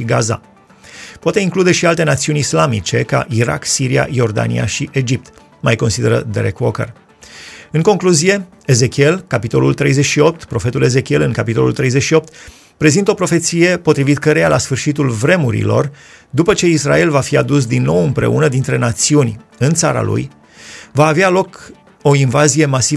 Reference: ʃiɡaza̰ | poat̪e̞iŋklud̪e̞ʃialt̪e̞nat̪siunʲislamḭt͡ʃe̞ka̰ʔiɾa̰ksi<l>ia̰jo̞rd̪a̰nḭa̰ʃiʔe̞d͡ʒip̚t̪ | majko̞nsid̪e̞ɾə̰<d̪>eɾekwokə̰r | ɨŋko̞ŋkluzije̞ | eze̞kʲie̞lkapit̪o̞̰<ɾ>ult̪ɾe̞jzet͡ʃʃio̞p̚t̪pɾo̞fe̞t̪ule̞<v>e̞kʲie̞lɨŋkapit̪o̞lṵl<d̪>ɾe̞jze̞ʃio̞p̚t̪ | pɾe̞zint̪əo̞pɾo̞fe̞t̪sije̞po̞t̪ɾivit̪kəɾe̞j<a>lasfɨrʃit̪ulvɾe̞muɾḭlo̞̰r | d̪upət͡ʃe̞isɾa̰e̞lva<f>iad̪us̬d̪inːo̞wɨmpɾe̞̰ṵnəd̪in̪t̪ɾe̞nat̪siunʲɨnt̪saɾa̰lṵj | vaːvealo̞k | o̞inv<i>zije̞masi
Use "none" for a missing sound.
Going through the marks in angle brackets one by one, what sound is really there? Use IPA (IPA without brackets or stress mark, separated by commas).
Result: ɾ, d̪, l, z, t̪, a, f, a